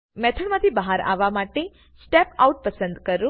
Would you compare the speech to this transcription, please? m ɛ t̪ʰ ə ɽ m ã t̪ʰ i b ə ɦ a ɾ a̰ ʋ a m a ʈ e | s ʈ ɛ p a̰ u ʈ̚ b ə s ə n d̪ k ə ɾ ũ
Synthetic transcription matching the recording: m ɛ t̪ʰ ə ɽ m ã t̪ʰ i b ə ɦ a ɾ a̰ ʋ a m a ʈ e | s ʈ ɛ p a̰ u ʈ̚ p ə s ə n d̪ k ə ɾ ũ